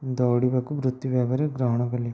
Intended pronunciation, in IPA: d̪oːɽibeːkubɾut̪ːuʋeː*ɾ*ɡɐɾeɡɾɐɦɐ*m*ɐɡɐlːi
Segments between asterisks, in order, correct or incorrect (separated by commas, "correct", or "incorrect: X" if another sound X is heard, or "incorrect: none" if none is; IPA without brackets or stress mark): incorrect: none, incorrect: ɳ